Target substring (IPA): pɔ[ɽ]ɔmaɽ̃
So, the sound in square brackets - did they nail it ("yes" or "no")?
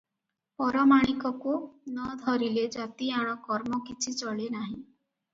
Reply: no